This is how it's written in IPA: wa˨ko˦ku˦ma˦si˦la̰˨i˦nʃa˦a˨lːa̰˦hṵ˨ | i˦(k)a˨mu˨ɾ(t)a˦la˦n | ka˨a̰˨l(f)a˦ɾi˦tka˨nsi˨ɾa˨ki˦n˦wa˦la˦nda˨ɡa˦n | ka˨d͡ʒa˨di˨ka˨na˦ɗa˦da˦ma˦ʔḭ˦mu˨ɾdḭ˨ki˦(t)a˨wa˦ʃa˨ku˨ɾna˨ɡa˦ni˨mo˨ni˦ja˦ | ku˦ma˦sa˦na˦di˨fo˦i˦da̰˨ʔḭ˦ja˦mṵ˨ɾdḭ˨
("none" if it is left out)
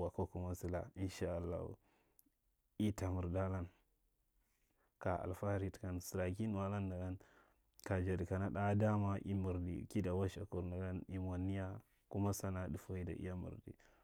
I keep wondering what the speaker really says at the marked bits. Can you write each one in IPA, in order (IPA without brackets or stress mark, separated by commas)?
t, d, f, d